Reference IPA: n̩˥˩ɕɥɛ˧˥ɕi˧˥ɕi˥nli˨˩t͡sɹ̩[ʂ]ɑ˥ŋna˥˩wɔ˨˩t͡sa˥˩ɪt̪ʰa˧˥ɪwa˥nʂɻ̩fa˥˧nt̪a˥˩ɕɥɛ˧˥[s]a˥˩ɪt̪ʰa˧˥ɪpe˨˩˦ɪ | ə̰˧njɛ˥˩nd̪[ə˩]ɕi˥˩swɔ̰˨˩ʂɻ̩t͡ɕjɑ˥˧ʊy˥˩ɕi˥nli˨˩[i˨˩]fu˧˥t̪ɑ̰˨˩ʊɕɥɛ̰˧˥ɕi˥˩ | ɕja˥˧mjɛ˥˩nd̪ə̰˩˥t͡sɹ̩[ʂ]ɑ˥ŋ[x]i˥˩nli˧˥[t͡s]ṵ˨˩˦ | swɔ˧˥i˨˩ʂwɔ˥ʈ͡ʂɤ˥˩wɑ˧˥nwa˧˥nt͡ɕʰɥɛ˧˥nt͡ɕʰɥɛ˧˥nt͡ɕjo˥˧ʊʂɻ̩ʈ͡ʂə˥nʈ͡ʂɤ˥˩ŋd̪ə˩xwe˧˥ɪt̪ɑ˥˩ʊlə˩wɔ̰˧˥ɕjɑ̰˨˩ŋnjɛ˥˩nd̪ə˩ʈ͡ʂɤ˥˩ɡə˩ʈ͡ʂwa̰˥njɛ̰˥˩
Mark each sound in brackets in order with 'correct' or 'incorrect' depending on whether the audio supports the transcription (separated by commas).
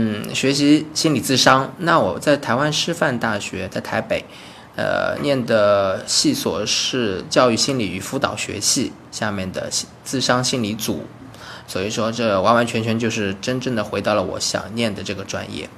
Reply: correct, incorrect, correct, incorrect, correct, incorrect, correct